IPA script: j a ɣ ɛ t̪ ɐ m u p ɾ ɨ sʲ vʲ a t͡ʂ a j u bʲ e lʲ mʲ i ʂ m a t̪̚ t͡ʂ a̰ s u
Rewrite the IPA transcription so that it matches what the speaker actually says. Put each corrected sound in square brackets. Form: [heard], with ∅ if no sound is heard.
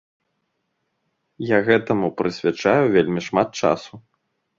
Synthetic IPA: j a ɣ ɛ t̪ ɐ m u p ɾ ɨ sʲ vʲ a t͡ʂ a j u [vʲ] e lʲ mʲ i ʂ m a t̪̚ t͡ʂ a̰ s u